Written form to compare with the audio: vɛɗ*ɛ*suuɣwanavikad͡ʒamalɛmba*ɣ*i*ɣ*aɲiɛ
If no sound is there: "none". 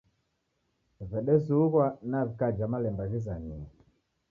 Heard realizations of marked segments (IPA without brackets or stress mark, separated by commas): ɛ, ɣ, z